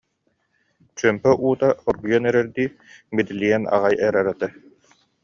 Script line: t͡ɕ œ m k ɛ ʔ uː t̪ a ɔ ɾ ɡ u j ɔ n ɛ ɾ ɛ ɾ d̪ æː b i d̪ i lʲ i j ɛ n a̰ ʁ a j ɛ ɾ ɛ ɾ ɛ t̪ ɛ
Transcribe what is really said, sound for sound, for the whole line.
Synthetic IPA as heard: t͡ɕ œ m p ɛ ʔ uː t̪ a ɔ ɾ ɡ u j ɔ n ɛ ɾ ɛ ɾ d̪ iː b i d̪ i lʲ i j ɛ n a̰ ʁ a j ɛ ɾ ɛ ɾ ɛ t̪ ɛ